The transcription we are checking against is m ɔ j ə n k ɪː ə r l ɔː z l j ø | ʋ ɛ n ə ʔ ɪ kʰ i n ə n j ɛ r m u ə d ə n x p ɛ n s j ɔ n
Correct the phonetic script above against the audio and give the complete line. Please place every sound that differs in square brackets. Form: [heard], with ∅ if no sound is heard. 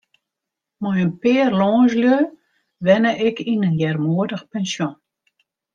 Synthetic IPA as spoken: m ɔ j ə n [p] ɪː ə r l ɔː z l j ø | ʋ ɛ n ə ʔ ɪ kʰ i n ə n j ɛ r m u ə d ə [∅] x p ɛ n s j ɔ n